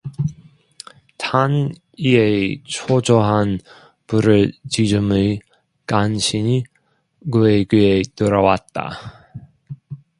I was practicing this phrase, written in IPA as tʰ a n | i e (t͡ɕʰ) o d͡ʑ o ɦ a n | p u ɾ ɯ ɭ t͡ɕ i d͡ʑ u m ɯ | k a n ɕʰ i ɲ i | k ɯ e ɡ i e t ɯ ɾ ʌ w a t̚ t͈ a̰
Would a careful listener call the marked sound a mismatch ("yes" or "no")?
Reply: no